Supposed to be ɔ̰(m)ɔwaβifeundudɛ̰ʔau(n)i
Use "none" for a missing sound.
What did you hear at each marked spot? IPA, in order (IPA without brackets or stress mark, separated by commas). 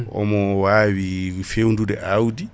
m, d